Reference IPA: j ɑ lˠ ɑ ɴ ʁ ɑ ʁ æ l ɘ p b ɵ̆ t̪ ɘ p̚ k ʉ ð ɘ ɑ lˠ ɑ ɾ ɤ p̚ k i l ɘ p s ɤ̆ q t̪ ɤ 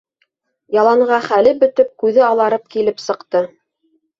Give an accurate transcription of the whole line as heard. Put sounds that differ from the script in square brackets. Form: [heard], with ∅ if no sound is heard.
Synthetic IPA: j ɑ lˠ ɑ ɴ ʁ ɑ [χ] æ l ɘ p b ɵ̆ t̪ ɘ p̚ k ʉ ð ɘ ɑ lˠ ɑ ɾ ɤ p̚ k i l ɘ p s ɤ̆ q t̪ ɤ